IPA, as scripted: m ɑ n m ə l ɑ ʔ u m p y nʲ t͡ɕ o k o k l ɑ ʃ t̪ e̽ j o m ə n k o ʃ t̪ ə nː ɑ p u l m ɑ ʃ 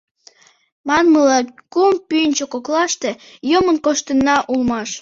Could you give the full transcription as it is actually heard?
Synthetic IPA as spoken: m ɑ n m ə l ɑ k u m p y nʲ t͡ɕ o k o k l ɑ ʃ t̪ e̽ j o m ə n k o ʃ t̪ ə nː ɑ ʔ u l m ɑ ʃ